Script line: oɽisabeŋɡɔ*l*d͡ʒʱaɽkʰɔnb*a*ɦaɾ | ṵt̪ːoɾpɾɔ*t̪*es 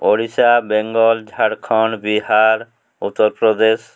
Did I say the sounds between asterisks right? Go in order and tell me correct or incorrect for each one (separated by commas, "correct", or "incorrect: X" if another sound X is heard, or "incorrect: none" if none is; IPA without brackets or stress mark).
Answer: correct, incorrect: i, incorrect: d̪